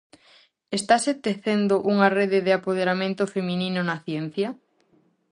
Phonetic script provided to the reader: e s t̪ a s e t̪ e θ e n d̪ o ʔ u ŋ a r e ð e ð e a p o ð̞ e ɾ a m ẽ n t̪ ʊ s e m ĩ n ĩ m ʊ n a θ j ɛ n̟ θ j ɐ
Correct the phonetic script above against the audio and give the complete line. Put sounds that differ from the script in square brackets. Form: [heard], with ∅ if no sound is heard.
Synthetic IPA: e s t̪ a s e t̪ e θ e n d̪ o ʔ u ŋ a r e ð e ð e a p o ð̞ e ɾ a m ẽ n t̪ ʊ [f] e m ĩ n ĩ [n] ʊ n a θ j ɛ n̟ θ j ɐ